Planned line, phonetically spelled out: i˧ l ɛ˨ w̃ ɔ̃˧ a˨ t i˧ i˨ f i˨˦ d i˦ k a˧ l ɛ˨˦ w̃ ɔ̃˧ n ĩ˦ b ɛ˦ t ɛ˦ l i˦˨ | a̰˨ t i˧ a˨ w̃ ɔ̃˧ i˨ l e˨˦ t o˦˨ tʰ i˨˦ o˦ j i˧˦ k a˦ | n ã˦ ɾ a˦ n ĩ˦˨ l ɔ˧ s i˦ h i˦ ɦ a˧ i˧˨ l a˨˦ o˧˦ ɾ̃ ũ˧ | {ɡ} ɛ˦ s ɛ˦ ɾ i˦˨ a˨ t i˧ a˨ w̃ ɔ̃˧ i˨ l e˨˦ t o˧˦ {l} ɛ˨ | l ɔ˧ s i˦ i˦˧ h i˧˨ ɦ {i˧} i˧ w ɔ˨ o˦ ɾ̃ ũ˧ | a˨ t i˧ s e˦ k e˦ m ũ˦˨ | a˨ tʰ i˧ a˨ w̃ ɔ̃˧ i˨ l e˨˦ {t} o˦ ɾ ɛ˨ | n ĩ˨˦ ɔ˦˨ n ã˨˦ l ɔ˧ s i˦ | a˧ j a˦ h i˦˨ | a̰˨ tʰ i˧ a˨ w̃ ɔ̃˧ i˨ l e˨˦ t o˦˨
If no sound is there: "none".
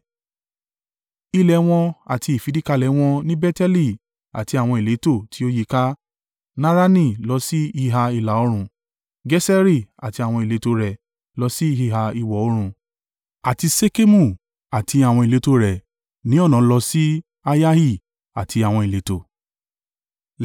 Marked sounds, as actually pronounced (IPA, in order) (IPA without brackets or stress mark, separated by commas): ɡ, ɾ, a˧, t